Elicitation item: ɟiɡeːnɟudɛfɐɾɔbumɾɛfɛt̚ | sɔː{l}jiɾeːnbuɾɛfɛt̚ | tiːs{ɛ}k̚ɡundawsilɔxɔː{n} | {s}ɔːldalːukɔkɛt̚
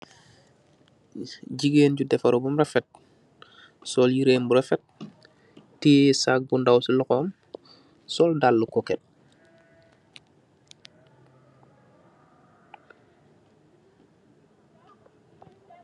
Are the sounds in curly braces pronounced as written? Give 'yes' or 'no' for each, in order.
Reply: yes, no, no, yes

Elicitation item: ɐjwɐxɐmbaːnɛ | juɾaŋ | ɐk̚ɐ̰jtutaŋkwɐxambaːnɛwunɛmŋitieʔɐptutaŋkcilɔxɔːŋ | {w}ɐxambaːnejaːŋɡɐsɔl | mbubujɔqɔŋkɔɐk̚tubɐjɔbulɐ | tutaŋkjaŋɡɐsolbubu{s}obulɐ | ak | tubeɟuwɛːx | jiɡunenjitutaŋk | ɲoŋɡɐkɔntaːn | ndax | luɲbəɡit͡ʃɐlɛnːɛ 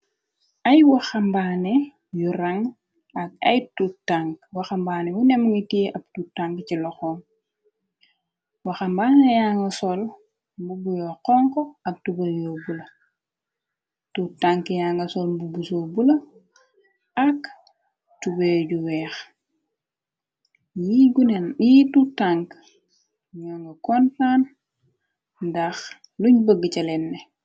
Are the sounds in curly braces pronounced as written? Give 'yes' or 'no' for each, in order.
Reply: yes, yes

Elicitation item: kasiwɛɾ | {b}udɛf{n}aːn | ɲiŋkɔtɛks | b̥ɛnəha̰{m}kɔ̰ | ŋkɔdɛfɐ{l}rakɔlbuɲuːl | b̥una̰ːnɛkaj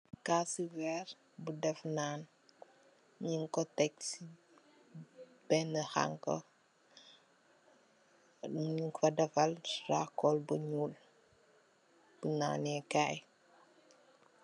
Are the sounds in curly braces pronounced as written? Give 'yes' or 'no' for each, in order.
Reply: yes, yes, no, yes

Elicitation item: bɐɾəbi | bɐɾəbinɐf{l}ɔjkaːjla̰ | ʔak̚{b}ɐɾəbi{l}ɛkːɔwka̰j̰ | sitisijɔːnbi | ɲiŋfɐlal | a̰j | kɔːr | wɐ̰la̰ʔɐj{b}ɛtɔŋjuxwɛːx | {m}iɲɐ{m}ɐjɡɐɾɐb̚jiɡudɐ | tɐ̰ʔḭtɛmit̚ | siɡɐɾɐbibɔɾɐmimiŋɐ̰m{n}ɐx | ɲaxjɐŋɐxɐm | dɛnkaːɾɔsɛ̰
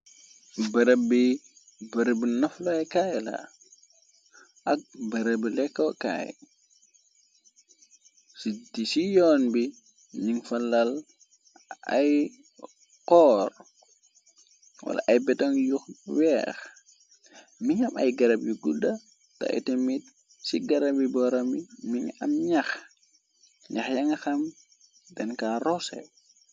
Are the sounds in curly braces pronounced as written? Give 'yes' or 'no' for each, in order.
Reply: yes, yes, yes, yes, yes, yes, no

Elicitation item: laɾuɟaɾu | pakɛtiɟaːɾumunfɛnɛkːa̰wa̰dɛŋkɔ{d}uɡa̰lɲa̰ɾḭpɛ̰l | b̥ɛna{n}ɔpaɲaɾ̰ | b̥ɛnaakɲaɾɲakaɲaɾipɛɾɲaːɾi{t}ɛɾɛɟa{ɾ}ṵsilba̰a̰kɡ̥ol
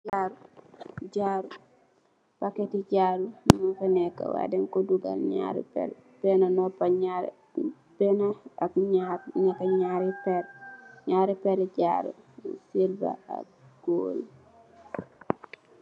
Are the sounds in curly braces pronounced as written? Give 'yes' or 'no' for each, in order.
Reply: yes, yes, no, yes

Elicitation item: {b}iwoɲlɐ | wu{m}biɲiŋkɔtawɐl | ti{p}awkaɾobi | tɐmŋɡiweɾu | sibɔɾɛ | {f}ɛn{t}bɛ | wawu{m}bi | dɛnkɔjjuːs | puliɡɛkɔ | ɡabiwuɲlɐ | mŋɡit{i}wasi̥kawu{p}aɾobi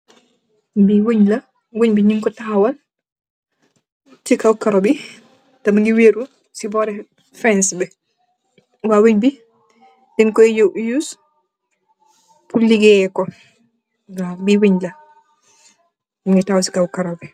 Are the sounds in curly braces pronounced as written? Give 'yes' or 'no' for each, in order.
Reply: yes, no, no, yes, no, no, no, no

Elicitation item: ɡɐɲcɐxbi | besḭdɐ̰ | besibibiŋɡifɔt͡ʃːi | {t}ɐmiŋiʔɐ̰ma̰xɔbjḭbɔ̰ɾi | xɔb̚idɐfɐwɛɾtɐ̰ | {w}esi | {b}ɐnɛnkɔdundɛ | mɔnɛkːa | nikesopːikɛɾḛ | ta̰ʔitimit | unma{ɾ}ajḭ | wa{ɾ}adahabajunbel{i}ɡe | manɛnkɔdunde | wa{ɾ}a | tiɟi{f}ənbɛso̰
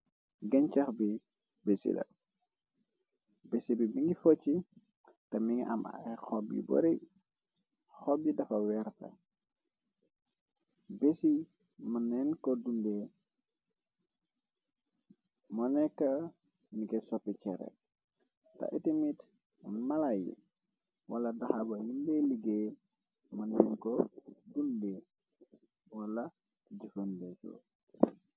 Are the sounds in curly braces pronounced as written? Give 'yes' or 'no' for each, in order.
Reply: yes, no, no, no, no, yes, no, yes

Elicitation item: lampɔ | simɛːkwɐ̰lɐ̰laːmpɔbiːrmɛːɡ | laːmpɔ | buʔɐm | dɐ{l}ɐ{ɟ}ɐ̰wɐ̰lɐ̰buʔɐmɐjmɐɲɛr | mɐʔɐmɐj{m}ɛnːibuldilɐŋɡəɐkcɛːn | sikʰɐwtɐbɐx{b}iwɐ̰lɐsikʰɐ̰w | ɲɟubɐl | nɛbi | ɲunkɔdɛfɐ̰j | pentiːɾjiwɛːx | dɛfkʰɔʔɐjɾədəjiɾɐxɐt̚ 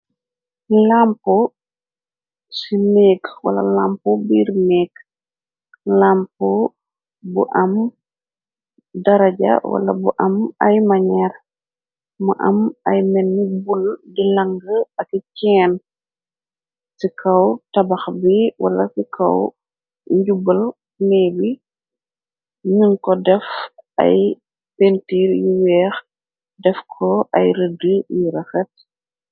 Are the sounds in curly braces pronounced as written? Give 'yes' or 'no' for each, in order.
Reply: no, yes, yes, yes

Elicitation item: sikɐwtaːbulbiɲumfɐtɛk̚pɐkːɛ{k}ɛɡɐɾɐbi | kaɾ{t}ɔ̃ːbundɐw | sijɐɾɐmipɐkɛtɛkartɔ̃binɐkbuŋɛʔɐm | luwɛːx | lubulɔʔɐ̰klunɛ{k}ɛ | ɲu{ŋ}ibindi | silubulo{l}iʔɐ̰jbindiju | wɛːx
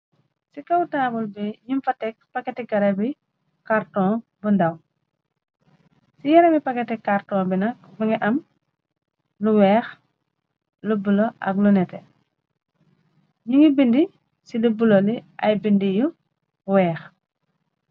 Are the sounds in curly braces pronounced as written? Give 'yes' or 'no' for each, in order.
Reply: no, yes, no, yes, yes

